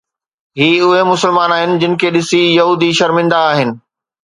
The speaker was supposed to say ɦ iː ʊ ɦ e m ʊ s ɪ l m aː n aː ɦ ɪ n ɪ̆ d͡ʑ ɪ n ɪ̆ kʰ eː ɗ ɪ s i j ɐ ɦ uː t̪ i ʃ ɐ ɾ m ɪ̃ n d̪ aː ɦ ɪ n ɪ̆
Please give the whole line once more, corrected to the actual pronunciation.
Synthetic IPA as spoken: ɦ iː ʊ ɦ e m ʊ s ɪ l m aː n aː ɦ ɪ n ɪ̆ d͡ʑ ɪ n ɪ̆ kʰ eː ɗ ɪ s i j ɐ ɦ uː d̪ i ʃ ɐ ɾ m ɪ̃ n d̪ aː ɦ ɪ n ɪ̆